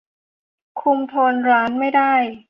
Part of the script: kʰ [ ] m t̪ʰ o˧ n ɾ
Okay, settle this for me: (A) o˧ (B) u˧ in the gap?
B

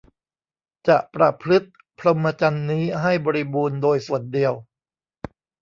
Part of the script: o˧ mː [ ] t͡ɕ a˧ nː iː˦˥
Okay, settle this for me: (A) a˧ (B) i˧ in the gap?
A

